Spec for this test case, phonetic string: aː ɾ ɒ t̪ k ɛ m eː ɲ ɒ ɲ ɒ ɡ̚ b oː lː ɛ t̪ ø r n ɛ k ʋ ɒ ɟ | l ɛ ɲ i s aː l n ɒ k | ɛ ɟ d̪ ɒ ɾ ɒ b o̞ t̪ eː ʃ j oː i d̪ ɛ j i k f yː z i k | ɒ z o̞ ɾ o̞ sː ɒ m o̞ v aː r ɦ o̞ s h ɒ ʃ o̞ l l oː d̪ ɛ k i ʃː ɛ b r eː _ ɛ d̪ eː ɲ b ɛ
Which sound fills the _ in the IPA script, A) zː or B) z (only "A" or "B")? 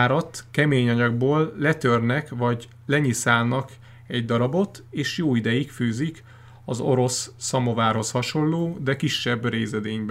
B